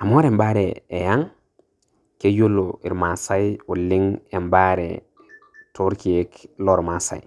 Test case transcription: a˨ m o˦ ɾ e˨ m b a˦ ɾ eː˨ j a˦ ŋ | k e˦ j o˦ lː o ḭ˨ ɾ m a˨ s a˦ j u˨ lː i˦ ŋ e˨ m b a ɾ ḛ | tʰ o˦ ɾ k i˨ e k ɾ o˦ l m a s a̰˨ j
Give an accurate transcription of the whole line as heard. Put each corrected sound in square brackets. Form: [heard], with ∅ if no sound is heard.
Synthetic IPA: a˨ m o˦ ɾ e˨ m b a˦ ɾ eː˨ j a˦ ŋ | k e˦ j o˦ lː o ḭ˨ ɾ m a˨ s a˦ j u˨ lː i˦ ŋ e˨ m b a ɾ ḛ | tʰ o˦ ɾ k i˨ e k [l] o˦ [ɾ] m a s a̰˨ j